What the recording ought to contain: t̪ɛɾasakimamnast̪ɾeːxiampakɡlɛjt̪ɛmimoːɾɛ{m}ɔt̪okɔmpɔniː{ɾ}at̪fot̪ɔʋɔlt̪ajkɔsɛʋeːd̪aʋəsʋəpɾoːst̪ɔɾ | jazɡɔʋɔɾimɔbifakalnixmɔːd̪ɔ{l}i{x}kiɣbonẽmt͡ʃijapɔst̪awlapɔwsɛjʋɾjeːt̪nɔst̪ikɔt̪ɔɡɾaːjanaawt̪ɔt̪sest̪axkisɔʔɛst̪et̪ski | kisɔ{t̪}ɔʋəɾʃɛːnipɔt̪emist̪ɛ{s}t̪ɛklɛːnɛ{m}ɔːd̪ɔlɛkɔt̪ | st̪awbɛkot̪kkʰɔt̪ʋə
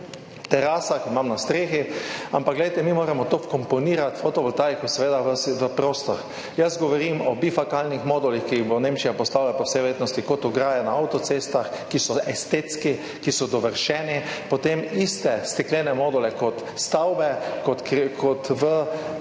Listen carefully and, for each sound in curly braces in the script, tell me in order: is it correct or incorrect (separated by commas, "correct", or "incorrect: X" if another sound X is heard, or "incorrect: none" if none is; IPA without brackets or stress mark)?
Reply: correct, correct, correct, correct, incorrect: d̪, correct, correct